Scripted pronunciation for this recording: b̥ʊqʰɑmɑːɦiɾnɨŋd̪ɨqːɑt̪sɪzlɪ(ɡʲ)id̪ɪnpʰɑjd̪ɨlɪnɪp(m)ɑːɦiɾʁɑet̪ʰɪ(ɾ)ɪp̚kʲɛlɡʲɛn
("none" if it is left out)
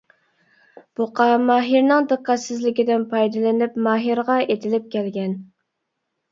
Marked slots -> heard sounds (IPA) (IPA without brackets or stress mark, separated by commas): kʲ, m, l